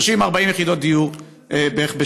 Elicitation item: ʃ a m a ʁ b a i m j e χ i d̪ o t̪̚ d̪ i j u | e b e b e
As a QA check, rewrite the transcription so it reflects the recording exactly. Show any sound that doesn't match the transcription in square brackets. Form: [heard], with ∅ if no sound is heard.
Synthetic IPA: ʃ [i] m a ʁ b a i m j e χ i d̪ o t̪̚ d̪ i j u | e b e b e